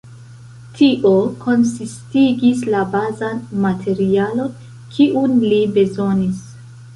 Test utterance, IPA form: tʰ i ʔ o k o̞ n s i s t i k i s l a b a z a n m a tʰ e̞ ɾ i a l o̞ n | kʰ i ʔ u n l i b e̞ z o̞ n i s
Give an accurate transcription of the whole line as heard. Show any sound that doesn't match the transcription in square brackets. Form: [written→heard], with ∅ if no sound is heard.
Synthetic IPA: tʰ i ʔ o k o̞ n s i s t i [k→ɡ] i s l a b a z a n m a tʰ e̞ ɾ i a l o̞ n | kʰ i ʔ u n l i b e̞ z o̞ n i s